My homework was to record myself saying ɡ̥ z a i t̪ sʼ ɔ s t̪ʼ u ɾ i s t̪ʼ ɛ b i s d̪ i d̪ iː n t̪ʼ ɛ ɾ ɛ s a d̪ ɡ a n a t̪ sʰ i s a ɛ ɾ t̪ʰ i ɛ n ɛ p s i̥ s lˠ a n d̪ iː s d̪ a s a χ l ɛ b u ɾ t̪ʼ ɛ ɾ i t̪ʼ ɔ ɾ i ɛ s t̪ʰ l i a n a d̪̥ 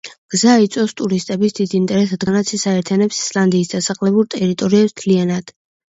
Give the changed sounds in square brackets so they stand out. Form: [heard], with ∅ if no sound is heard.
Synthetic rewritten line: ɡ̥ z a i t̪ sʼ ɔ s t̪ʼ u ɾ i s t̪ʼ ɛ b i s d̪ i d̪ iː n t̪ʼ ɛ ɾ ɛ s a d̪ ɡ a n a t̪ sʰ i s a ɛ ɾ t̪ʰ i [a] n ɛ p s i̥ s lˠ a n d̪ iː s d̪ a s a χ l ɛ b u ɾ t̪ʼ ɛ ɾ i t̪ʼ ɔ ɾ i ɛ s t̪ʰ l i a n a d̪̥